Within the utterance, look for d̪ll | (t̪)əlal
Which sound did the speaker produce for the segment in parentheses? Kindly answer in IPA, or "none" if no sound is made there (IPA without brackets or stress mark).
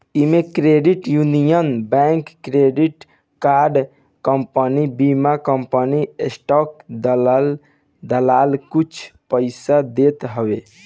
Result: d̪